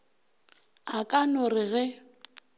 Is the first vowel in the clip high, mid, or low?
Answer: low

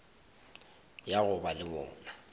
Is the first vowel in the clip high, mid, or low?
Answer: low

